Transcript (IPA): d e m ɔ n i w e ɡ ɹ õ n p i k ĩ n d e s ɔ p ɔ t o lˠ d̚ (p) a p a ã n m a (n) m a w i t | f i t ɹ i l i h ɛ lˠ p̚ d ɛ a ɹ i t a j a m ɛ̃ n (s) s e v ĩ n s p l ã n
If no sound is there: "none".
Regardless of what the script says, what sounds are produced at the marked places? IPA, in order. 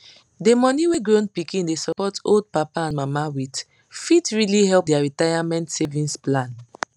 p, none, t

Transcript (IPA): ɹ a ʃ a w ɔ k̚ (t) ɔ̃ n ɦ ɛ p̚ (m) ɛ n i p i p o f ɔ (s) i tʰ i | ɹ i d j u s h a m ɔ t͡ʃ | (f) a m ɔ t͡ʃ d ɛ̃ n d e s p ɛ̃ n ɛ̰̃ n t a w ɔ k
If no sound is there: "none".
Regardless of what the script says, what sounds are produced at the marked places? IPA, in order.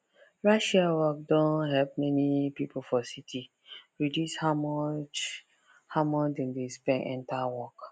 d, m, s, h

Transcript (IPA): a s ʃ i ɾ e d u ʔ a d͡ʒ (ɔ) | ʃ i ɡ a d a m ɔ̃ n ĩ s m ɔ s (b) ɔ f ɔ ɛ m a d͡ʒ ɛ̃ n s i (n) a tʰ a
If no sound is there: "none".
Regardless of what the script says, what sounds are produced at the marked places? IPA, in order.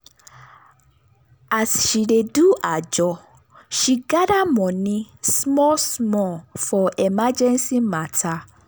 ɔ, m, m

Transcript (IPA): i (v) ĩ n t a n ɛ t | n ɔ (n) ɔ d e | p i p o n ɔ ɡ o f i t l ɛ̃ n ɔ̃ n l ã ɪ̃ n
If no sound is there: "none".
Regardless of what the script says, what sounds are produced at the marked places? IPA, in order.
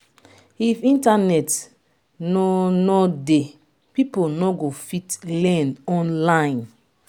f, n

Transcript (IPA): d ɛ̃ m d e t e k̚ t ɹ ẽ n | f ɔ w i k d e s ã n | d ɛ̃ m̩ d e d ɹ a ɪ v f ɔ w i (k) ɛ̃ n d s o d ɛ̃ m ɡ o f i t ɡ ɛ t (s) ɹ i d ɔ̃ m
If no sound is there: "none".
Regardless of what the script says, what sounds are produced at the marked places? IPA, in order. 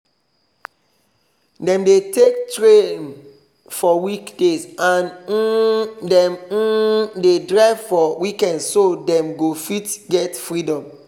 k, f

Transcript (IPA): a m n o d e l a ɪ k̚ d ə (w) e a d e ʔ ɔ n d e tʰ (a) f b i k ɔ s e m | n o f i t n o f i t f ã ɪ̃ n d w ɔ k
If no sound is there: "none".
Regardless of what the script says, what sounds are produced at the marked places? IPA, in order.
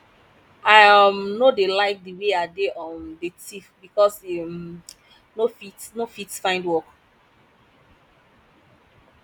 w, i

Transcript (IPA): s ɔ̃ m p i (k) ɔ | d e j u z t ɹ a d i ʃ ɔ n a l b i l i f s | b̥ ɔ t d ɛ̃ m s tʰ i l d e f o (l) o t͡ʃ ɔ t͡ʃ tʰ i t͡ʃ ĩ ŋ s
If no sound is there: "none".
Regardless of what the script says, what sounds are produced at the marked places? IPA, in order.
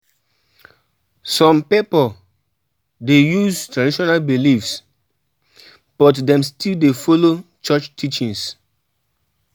p, l

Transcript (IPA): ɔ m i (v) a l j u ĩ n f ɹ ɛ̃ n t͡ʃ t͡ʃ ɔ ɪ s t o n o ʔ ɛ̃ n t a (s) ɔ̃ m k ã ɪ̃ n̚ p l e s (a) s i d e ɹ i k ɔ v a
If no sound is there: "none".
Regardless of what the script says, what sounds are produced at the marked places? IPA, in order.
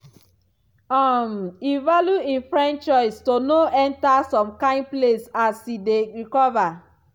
v, s, a

